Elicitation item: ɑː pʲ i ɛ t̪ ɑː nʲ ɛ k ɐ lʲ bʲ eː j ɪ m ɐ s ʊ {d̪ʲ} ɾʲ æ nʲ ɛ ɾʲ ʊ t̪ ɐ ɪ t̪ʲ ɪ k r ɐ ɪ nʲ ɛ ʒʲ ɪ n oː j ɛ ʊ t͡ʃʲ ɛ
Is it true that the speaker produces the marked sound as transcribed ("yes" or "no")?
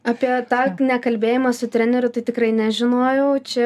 no